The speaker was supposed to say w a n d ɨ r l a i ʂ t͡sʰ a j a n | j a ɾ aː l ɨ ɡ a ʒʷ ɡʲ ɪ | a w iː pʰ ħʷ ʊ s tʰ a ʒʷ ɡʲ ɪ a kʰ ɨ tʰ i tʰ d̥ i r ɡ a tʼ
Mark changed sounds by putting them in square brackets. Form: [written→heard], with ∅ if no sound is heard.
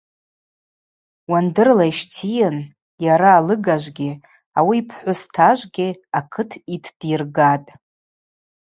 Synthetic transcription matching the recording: w a n d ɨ r l a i [ʂ→ʃ] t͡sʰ [a→i] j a n | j a ɾ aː l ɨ ɡ a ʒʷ ɡʲ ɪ | a w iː pʰ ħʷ ʊ s tʰ a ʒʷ ɡʲ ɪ a kʰ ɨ tʰ i tʰ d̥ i r ɡ a tʼ